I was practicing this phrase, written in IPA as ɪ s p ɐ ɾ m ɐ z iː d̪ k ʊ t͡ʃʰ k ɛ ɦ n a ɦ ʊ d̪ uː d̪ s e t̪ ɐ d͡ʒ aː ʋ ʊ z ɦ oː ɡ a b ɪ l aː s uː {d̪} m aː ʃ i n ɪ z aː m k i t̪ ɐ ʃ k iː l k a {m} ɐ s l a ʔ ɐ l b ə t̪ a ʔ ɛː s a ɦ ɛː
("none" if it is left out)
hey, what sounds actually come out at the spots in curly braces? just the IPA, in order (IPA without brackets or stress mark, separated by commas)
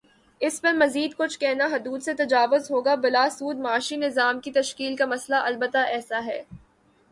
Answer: d̪, m